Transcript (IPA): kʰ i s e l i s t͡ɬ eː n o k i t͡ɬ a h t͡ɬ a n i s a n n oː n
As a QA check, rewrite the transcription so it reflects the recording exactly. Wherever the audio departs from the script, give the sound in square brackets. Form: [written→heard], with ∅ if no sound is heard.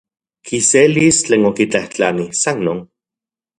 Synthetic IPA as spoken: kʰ i s e l i s t͡ɬ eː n o k i t͡ɬ a h t͡ɬ a n i s a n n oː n